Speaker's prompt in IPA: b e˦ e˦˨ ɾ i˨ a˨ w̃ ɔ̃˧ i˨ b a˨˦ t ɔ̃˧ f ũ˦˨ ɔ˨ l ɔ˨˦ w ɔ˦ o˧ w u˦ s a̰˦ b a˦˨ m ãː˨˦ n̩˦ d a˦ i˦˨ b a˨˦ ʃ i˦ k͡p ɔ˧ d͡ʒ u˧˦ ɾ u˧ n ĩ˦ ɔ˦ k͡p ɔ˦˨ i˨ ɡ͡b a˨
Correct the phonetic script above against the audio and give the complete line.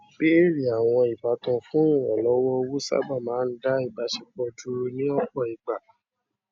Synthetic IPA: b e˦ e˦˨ ɾ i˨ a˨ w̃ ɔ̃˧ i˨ b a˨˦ t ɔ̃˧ f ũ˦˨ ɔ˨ l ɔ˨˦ w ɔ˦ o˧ w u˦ s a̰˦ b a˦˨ m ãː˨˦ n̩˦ d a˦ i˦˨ b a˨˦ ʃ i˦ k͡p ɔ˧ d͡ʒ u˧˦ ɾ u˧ n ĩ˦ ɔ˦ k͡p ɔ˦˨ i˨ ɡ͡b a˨